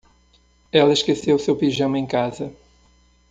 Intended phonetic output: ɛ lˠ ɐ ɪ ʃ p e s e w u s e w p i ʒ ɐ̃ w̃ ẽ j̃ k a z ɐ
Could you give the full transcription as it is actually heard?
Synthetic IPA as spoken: ɛ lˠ ɐ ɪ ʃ k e s e w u s e w p i ʒ ɐ̃ w̃ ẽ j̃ k a z ɐ